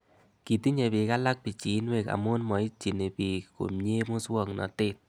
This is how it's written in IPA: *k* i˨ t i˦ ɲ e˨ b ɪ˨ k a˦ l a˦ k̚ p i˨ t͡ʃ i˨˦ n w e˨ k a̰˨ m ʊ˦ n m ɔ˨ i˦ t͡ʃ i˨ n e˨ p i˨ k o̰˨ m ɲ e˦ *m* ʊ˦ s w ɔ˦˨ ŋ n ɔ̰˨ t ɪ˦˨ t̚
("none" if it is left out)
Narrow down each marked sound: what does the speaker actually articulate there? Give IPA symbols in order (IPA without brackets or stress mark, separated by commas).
k, m